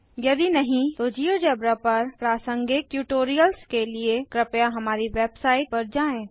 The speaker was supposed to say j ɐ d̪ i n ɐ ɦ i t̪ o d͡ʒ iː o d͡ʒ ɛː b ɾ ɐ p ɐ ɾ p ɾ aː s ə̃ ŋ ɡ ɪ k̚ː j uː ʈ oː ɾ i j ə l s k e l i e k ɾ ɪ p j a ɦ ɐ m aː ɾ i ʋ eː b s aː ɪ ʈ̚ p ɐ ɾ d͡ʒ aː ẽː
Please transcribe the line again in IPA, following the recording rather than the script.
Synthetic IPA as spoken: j ɐ d̪ i n ɐ ɦ ĩ t̪ o d͡ʒ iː o d͡ʒ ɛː b ɾ a p ɐ ɾ p ɾ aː s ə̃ ŋ ɡ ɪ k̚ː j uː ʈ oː ɾ i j ə l s k e l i e k ɾ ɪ p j a ɦ ɐ m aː ɾ i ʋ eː b s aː ɪ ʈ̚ p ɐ ɾ d͡ʒ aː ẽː

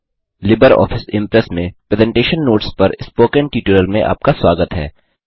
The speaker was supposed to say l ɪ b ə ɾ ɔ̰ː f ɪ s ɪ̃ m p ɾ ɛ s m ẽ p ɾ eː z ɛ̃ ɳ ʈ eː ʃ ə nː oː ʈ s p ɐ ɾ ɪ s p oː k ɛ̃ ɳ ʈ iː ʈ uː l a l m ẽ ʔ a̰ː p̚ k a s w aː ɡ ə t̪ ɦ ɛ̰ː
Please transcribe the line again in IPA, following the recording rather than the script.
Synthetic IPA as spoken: l ɪ b ə ɾ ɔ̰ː f ɪ s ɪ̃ m p ɾ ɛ s m ẽ p ɾ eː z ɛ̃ ɳ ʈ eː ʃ ə nː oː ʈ s p ɐ ɾ ɪ s p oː k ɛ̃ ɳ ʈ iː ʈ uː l ə l m ẽ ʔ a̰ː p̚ k a s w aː ɡ ə t̪ ɦ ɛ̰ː

